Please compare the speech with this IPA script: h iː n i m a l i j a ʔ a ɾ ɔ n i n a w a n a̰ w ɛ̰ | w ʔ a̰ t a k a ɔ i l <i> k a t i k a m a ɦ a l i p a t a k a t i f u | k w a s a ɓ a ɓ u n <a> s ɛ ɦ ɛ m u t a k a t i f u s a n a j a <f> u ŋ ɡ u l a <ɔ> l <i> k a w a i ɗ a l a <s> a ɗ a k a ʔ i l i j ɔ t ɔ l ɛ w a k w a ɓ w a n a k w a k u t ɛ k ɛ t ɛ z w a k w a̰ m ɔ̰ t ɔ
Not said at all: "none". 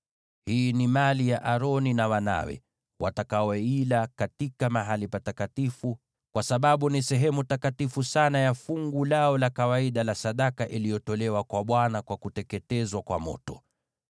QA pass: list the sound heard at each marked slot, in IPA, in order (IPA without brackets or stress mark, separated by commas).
a, i, f, ɔ, a, s